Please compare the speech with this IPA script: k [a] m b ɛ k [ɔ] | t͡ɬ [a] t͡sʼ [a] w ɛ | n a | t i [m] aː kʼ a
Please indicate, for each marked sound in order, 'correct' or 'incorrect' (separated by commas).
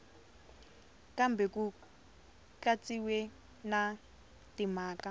correct, incorrect, correct, incorrect, correct